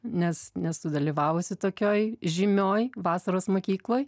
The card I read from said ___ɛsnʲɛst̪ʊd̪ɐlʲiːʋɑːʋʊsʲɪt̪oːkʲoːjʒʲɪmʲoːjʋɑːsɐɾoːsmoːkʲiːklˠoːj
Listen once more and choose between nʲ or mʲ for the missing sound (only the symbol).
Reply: nʲ